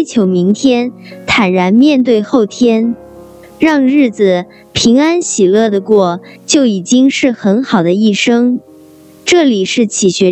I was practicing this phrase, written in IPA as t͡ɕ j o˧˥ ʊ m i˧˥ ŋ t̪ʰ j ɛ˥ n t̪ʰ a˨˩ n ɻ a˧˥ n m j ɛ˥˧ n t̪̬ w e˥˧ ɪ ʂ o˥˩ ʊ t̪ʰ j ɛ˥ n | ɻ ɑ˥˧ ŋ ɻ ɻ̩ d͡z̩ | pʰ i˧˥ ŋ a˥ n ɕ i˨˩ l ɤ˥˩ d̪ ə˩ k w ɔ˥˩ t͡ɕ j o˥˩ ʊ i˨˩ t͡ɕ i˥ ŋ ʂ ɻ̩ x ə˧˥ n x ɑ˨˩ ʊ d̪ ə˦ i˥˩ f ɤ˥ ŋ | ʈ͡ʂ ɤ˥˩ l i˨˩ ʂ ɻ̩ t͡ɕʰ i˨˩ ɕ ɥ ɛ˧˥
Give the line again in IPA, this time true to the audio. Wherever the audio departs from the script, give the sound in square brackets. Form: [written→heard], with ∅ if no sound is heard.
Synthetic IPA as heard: [t͡ɕ→t͡ɕʰ] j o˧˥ ʊ m i˧˥ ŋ t̪ʰ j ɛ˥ n t̪ʰ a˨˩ n ɻ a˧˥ n m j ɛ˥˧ n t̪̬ w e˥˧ ɪ [ʂ→x] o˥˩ ʊ t̪ʰ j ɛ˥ n | ɻ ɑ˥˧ ŋ ɻ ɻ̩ d͡z̩ | pʰ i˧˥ ŋ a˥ n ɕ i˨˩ l ɤ˥˩ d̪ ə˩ k w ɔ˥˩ t͡ɕ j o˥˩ ʊ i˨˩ t͡ɕ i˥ ŋ ʂ ɻ̩ x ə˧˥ n x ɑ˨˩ ʊ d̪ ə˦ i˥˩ [f→ʂ] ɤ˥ ŋ | ʈ͡ʂ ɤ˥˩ l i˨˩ ʂ ɻ̩ t͡ɕʰ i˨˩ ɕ ɥ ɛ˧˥